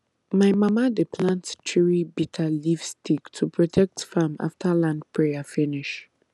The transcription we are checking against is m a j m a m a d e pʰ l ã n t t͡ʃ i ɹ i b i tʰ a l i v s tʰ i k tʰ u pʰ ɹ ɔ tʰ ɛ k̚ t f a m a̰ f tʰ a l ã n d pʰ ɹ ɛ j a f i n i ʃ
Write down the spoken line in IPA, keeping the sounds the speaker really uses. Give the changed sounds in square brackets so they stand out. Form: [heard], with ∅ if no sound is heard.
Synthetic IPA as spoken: m a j m a m a d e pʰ l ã n t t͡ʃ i ɹ i b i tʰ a l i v s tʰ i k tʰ u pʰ ɹ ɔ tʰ ɛ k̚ t f a m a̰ f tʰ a l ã n d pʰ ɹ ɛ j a f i n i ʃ